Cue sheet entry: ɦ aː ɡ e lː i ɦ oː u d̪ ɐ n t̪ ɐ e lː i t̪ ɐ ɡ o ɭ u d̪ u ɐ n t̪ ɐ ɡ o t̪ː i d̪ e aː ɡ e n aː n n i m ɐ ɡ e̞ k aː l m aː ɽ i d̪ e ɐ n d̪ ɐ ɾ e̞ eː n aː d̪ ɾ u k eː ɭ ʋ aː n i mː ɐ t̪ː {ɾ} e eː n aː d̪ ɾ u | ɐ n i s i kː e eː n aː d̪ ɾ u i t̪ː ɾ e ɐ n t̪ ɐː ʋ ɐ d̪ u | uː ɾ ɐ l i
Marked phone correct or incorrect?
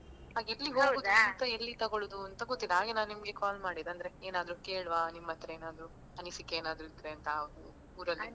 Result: correct